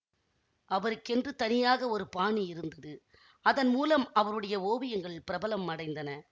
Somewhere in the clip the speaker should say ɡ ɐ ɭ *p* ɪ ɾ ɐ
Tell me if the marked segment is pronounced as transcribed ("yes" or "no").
yes